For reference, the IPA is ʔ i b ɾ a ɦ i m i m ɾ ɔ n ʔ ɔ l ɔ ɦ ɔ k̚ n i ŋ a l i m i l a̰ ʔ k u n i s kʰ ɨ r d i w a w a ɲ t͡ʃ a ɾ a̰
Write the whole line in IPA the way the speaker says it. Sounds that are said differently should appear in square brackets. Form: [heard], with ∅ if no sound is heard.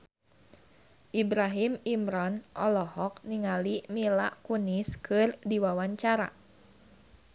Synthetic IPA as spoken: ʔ i b ɾ a ɦ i m i m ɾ ɔ n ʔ ɔ l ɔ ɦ ɔ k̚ n i ŋ a l i m i l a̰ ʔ k u n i s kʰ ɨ r d i w a w a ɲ t͡ʃ a ɾ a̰